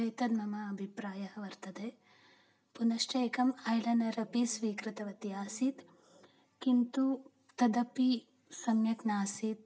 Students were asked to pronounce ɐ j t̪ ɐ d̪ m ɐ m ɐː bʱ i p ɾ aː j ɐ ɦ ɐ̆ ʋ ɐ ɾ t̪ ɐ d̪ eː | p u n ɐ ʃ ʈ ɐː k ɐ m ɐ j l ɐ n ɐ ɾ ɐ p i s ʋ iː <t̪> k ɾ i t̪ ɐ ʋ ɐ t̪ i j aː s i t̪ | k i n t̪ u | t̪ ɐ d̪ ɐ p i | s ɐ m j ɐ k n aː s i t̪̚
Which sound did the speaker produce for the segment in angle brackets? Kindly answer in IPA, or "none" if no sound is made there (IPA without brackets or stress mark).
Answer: none